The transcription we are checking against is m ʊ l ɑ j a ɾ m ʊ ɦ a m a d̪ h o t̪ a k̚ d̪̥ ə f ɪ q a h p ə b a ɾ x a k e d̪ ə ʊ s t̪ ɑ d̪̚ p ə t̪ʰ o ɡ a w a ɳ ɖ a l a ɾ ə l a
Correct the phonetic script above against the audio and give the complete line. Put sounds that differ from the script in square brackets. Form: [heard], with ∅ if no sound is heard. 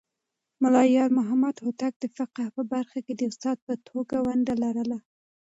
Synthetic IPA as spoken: m ʊ l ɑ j [ɑ] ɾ m ʊ ɦ a m a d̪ h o t̪ a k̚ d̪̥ ə f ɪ q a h p ə b a ɾ x a k e d̪ ə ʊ s t̪ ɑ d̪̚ p ə t̪ʰ o ɡ a w a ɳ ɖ a l a ɾ ə l a